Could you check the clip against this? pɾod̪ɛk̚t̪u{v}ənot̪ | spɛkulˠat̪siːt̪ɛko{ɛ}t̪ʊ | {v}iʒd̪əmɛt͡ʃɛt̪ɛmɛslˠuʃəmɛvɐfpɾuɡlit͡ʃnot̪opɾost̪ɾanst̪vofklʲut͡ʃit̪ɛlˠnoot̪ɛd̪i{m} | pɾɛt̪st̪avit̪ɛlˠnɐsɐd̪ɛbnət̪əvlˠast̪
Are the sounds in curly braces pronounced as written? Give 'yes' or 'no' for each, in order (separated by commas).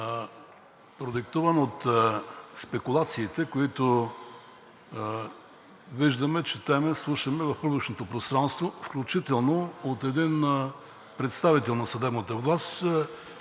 yes, no, yes, no